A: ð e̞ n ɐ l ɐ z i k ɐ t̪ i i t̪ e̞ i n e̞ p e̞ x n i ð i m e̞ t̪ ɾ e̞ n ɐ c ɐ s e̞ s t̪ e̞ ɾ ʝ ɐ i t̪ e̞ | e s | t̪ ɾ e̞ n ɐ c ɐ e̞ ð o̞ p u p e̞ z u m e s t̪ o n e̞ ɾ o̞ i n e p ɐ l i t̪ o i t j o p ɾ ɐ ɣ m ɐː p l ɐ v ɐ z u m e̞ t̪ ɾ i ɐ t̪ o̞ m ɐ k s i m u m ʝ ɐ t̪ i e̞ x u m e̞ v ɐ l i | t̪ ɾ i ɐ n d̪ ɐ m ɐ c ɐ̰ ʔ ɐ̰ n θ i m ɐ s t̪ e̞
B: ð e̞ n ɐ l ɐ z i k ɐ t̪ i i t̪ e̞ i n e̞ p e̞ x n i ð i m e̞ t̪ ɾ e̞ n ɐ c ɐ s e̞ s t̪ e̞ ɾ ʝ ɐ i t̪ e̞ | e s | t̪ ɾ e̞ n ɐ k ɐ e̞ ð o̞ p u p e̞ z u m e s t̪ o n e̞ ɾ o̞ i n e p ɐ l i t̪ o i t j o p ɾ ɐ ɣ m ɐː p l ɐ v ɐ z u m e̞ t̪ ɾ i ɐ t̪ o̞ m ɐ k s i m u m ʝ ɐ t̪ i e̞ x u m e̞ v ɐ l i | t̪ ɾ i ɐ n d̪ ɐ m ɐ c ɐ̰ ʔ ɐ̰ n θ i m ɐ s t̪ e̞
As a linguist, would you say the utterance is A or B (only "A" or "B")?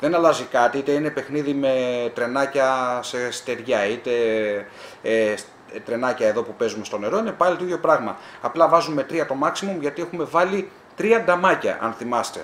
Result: A